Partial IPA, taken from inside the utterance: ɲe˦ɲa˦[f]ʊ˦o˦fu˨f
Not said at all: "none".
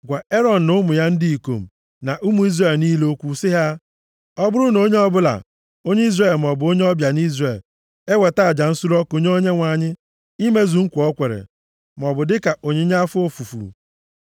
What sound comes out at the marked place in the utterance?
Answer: f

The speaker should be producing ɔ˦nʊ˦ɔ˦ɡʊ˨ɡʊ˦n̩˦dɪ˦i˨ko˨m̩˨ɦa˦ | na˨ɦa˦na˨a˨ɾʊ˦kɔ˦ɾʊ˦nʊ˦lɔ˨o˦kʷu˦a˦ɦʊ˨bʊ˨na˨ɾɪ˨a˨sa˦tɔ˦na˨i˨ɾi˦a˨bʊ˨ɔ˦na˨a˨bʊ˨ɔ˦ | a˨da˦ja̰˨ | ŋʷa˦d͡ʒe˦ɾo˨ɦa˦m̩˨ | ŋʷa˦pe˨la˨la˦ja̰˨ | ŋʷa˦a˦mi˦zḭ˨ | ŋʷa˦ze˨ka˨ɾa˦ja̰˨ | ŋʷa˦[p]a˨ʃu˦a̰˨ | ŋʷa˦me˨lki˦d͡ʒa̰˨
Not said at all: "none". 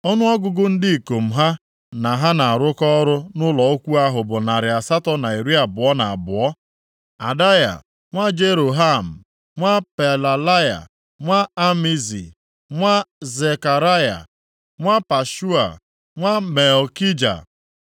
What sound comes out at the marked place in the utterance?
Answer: p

